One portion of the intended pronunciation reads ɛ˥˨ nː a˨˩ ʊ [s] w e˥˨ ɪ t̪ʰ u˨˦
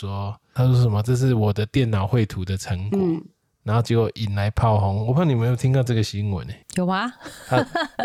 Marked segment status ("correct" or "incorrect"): incorrect